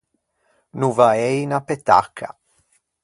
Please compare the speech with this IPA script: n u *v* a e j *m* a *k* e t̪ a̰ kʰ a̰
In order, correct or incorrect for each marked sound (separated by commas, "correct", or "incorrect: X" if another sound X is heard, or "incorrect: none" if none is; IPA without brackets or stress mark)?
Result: correct, incorrect: n, incorrect: p